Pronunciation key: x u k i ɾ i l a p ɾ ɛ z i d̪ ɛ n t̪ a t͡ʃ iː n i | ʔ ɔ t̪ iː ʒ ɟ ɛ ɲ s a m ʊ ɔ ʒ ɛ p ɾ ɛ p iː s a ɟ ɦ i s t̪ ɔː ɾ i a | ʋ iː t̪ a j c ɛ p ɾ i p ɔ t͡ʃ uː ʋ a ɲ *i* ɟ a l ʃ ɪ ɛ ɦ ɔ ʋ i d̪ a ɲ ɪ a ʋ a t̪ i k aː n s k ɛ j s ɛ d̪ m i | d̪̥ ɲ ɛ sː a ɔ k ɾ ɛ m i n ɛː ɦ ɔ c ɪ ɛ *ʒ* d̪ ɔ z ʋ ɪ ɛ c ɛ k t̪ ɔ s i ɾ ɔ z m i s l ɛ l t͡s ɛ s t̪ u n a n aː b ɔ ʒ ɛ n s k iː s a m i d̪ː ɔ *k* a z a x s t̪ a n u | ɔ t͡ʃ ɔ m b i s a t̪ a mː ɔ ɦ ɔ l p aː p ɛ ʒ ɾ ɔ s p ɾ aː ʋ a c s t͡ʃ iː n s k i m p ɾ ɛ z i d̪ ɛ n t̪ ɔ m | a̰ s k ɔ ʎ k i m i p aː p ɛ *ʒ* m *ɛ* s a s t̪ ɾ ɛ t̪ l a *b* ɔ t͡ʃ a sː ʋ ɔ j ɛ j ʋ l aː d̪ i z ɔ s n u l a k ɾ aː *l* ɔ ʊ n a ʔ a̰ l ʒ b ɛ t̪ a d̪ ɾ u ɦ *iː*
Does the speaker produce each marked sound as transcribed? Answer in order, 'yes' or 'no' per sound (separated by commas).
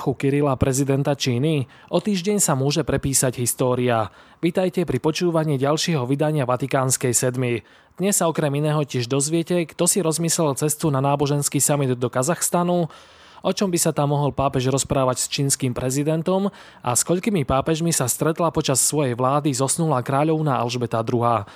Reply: no, yes, yes, yes, no, no, no, no